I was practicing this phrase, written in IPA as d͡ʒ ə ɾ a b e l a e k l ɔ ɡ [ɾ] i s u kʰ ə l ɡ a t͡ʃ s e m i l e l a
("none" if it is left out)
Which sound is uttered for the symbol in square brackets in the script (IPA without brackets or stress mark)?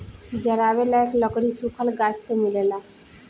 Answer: ɽ